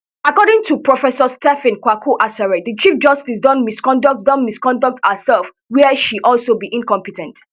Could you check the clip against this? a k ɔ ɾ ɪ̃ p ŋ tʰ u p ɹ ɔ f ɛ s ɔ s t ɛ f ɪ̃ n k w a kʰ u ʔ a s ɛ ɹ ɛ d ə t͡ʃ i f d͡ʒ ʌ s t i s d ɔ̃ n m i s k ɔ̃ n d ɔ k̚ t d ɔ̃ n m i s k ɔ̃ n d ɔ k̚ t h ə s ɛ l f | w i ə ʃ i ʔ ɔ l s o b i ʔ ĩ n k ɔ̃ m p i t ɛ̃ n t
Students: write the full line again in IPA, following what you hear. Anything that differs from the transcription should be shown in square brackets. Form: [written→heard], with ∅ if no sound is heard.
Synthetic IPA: a k ɔ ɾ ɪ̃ [p→∅] ŋ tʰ u p ɹ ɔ f ɛ s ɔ s t ɛ f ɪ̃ n k w a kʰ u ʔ a s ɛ ɹ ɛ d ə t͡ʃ i f d͡ʒ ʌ s t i s d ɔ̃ n m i s k ɔ̃ n d ɔ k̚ t d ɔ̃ n m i s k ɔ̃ n d ɔ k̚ t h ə s ɛ l f | w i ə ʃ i ʔ ɔ l s o b i ʔ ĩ n k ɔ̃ m p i t ɛ̃ n t